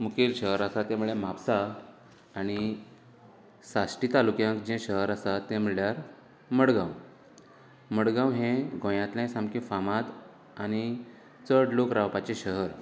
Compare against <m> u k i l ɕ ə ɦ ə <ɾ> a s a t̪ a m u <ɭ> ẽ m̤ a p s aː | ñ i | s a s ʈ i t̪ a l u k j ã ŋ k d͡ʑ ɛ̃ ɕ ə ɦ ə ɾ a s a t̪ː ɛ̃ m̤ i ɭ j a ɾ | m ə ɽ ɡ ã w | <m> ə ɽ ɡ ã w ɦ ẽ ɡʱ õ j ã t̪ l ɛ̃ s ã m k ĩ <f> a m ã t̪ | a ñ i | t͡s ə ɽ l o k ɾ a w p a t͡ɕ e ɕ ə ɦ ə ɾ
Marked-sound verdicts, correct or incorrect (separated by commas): correct, correct, correct, correct, correct